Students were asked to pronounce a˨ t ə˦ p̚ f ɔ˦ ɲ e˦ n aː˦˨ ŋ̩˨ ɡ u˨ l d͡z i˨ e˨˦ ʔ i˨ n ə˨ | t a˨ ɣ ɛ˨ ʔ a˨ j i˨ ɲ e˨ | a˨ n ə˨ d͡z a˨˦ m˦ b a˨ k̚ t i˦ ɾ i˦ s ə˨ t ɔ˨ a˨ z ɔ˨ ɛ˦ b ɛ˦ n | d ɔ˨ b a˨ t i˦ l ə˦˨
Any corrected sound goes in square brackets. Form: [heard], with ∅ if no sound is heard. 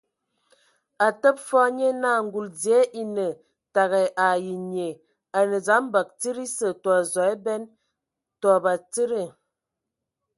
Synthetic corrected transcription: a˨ t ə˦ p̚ f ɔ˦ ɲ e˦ n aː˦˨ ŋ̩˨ ɡ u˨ l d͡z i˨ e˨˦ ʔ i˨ n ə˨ | t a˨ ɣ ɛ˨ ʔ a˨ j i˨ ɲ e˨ | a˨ n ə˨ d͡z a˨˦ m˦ b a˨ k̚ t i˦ ɾ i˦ s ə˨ t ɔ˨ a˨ z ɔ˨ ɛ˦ b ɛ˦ n | [t] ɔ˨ b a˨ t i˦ [ɾ] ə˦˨